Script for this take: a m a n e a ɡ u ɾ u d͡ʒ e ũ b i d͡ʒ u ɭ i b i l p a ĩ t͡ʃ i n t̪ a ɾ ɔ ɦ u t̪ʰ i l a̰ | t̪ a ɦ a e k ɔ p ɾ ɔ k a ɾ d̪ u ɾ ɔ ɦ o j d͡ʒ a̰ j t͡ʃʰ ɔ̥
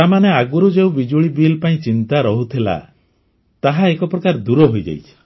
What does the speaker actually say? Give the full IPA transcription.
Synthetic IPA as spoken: a m a n e a ɡ u ɾ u d͡ʒ e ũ b i d͡ʒ u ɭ i b i l p a ĩ t͡ʃ i n t̪ a ɾ ɔ ɦ u t̪ʰ i l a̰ | t̪ a ɦ a e k ɔ p ɾ ɔ k a ɾ d̪ u ɾ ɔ ɦ o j d͡ʒ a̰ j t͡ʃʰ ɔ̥